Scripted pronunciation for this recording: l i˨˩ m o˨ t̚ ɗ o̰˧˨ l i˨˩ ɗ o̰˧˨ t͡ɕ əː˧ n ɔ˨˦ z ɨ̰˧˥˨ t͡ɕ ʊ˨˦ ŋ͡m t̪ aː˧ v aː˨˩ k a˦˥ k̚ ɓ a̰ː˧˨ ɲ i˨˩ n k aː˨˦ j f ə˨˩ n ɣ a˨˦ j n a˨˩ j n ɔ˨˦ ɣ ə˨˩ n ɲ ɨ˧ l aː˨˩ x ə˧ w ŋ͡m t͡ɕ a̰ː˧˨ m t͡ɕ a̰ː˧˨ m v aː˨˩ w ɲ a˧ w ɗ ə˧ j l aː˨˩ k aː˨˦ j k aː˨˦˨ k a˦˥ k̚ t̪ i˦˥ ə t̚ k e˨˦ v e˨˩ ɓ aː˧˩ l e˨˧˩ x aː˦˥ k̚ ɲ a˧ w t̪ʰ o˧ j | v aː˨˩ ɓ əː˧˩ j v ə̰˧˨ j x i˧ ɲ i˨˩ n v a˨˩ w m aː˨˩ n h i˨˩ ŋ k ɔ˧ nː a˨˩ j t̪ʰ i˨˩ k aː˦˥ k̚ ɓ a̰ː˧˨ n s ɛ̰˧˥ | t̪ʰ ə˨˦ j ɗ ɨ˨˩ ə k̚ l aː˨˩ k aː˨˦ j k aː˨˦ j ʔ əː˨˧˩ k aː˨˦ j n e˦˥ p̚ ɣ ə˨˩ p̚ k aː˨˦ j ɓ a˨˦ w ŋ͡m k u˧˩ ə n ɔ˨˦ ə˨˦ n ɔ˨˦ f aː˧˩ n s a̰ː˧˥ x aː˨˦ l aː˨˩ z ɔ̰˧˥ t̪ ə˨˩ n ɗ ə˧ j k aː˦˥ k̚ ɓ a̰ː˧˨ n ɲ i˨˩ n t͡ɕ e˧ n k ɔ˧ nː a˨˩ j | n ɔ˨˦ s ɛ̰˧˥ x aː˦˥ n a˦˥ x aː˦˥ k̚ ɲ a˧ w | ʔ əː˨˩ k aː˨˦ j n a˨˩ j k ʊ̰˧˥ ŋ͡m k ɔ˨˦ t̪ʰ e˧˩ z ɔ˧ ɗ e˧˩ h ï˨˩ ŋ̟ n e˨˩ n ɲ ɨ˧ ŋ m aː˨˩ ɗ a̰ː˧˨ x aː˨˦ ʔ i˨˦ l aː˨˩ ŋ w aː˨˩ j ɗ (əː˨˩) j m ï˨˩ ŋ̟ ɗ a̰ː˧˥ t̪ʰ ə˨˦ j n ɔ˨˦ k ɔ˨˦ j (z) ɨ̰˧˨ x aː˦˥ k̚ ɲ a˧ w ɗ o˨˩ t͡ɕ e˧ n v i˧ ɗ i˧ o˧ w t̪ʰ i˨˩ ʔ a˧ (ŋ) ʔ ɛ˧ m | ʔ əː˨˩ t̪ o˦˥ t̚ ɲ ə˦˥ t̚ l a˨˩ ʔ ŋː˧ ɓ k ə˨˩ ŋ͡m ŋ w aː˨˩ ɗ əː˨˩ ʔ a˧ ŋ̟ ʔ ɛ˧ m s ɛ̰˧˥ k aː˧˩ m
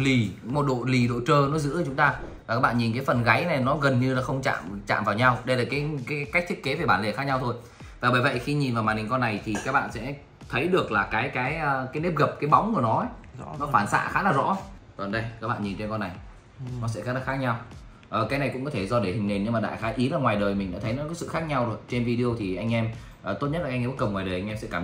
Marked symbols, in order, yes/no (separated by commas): yes, no, yes